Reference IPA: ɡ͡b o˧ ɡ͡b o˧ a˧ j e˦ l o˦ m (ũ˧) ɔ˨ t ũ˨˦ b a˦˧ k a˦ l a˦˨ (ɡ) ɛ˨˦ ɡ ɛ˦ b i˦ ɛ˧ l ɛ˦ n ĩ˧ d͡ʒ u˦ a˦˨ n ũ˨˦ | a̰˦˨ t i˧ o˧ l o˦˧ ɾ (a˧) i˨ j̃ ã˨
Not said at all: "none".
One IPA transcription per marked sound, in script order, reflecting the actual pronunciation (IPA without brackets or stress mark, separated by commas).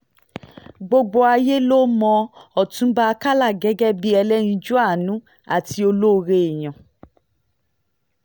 ɔ̃˧, ɡ, e˧